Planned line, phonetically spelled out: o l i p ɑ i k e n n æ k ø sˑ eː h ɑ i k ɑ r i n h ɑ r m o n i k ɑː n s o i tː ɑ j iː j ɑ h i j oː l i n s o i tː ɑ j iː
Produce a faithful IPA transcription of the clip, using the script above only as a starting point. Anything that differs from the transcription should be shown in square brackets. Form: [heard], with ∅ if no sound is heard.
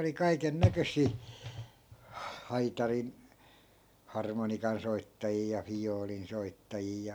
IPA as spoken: o l i [k] ɑ i k e n n æ k ø sˑ [iː] h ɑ i [t] ɑ r i n h ɑ r m o n i k [ɑ] n s o i tː ɑ j iː j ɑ [f] i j oː l i n s o i tː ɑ j iː